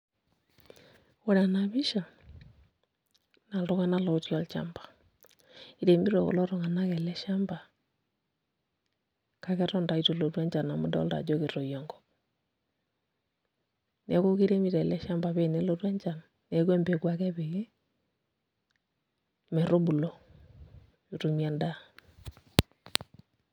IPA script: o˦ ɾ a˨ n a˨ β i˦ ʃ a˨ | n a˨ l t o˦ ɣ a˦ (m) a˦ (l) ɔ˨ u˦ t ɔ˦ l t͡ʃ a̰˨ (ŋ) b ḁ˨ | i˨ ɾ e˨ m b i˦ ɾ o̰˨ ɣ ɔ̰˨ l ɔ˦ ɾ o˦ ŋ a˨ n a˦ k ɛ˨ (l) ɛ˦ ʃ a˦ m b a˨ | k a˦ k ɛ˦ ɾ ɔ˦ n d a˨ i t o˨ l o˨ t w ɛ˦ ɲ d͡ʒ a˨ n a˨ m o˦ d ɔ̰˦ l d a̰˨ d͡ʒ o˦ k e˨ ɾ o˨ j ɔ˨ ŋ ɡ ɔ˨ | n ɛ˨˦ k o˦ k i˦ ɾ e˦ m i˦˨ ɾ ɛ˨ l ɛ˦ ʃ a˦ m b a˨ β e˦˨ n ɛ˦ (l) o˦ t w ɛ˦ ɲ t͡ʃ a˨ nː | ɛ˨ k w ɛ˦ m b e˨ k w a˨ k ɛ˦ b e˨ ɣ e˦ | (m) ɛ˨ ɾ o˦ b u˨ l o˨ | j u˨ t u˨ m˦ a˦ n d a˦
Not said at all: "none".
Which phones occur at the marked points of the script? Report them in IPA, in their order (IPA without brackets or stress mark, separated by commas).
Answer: n, l, m, l, l, m